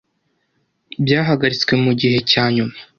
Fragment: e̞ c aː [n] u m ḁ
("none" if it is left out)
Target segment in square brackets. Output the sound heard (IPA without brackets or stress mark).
ɲ